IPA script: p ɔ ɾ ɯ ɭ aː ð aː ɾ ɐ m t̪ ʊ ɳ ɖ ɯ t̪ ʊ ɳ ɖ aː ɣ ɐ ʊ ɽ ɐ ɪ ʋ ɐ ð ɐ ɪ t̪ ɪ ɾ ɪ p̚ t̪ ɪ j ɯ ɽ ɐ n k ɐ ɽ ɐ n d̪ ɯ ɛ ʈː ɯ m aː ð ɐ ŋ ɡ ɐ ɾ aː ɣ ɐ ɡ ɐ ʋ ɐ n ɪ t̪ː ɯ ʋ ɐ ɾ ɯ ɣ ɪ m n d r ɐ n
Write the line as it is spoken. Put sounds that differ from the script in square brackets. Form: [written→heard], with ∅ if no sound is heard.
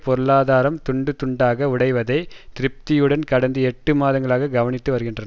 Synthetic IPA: p ɔ ɾ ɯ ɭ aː ð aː ɾ ɐ m t̪ ʊ ɳ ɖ ɯ t̪ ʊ ɳ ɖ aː ɣ ɐ ʊ ɽ ɐ ɪ ʋ ɐ ð ɐ ɪ t̪ ɪ ɾ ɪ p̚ t̪ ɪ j ɯ ɽ ɐ n k ɐ ɽ ɐ n d̪ ɯ ɛ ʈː ɯ m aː ð ɐ ŋ ɡ ɐ [ɾ→ɭ] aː ɣ ɐ ɡ ɐ ʋ ɐ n ɪ t̪ː ɯ ʋ ɐ ɾ ɯ ɣ ɪ [m→∅] n d r ɐ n